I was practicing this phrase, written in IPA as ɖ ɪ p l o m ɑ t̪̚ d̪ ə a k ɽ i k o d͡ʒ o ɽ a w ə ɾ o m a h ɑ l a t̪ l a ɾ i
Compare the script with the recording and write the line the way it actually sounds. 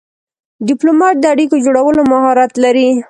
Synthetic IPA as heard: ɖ ɪ p l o m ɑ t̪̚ d̪ ə a ɽ i k o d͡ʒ o ɽ a w ə l o m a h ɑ ɾ a t̪ l a ɾ i